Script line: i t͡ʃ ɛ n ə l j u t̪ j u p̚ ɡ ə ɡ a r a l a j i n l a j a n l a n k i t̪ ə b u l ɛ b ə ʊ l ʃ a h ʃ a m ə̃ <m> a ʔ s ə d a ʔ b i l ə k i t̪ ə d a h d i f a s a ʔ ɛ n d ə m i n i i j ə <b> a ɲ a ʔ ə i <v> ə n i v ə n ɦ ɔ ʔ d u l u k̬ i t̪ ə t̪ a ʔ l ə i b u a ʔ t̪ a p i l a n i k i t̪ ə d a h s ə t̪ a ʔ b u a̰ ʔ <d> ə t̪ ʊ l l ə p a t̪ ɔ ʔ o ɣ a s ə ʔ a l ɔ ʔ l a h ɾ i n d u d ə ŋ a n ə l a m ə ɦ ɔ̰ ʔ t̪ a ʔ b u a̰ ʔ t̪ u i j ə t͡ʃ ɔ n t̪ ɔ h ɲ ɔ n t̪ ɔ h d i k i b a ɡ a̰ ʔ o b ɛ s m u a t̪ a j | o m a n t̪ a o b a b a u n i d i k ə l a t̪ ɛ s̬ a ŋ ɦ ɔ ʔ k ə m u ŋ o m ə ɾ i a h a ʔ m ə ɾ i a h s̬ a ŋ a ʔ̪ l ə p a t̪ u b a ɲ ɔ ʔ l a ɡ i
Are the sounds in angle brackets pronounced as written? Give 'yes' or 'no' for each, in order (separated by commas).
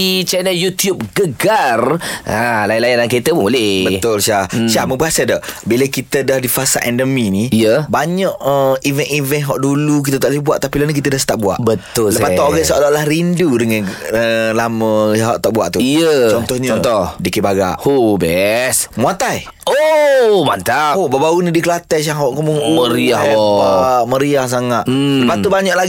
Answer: no, yes, yes, no